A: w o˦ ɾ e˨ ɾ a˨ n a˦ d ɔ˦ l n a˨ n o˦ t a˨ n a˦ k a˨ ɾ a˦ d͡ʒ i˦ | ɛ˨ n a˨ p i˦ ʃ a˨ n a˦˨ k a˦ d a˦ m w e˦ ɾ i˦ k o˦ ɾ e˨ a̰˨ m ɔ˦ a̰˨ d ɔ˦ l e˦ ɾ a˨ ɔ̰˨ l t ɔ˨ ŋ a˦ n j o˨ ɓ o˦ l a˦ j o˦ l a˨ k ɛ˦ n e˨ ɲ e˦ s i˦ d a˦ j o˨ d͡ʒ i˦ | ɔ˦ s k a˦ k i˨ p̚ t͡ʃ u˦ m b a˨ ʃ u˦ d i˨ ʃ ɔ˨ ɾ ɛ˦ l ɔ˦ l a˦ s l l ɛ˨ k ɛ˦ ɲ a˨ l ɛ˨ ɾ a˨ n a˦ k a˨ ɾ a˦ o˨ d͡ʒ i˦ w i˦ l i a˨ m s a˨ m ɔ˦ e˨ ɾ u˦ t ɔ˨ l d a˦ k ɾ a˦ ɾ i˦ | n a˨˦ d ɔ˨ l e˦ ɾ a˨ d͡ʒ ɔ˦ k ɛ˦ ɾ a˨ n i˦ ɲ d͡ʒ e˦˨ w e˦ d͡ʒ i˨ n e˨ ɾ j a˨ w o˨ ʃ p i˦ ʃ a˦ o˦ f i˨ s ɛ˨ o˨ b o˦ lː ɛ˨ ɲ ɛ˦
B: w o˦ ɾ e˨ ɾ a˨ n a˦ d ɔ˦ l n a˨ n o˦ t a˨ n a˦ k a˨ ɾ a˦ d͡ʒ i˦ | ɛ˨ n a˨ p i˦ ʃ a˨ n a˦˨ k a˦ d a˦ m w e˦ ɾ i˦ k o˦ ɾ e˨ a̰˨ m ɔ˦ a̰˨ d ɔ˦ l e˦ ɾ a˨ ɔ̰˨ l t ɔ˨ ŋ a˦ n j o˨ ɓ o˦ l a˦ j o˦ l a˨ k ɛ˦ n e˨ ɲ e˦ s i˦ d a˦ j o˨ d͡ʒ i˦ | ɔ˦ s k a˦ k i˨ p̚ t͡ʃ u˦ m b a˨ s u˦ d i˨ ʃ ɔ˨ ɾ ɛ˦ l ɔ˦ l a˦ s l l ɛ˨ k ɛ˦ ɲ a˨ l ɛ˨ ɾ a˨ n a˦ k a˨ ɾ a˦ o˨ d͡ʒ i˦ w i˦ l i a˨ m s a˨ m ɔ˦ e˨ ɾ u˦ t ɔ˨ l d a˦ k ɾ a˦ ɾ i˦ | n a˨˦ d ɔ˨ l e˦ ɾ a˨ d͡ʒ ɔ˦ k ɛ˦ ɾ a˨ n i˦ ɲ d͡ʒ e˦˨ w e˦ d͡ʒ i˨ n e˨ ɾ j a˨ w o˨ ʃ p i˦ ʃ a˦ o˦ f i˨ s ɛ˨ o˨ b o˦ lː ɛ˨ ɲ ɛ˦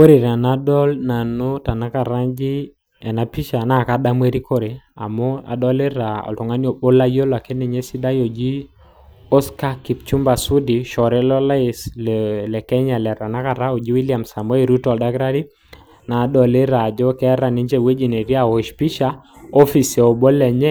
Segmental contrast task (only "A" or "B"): B